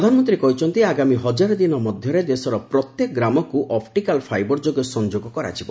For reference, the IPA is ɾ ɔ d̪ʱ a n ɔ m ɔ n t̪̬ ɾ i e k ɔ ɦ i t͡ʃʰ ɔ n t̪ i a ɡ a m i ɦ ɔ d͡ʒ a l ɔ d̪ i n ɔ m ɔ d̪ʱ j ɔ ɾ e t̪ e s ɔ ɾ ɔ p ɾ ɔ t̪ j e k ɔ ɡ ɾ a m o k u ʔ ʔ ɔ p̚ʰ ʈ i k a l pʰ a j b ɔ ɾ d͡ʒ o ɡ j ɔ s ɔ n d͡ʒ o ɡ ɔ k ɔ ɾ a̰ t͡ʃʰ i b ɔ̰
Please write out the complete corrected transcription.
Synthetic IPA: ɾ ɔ d̪ʱ a n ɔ m ɔ n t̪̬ ɾ i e k ɔ ɦ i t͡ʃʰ ɔ n t̪ i a ɡ a m i ɦ ɔ d͡ʒ a ɾ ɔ d̪ i n ɔ m ɔ d̪ʱ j ɔ ɾ e d̪ e s ɔ ɾ ɔ p ɾ ɔ t̪ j e k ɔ ɡ ɾ a m ɔ k u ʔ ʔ ɔ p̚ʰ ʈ i k a l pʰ a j b ɔ ɾ d͡ʒ o ɡ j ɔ s ɔ n d͡ʒ o ɡ ɔ k ɔ ɾ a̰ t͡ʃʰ i b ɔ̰